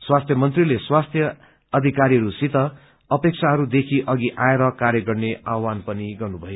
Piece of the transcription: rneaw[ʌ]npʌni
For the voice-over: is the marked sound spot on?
no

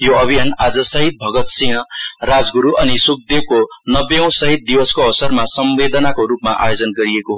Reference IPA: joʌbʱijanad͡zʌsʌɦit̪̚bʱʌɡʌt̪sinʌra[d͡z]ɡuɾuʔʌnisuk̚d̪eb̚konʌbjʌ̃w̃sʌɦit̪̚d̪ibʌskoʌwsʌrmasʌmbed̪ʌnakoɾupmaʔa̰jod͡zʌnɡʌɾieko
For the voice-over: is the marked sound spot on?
yes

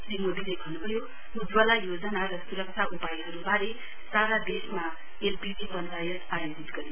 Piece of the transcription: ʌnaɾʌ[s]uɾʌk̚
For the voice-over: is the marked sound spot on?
yes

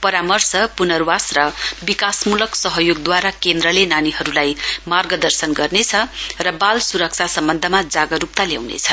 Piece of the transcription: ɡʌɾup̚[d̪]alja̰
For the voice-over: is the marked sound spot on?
no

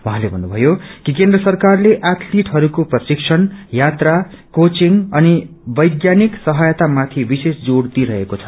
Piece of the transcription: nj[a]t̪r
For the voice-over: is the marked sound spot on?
yes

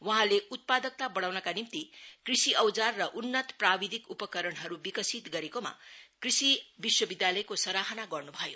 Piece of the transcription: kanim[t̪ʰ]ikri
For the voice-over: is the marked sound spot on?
no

